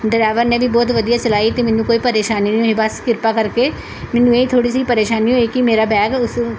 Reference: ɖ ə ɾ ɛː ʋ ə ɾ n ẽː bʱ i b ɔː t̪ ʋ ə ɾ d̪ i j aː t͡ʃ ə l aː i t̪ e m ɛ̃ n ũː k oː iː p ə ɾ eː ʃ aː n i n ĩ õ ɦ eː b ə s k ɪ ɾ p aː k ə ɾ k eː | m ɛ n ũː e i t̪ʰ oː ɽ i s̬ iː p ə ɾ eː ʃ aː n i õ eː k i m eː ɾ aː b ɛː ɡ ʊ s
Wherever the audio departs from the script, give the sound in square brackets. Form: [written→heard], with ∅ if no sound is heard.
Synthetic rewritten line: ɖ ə ɾ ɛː ʋ ə ɾ n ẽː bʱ i b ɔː t̪ ʋ ə [ɾ→∅] d̪ i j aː t͡ʃ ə l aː i t̪ e m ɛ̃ n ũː k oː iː p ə ɾ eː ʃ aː n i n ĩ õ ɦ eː b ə s k ɪ ɾ p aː k ə ɾ k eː | m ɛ n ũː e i t̪ʰ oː ɽ i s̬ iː p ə ɾ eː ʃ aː n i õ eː k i m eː ɾ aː b ɛː ɡ ʊ s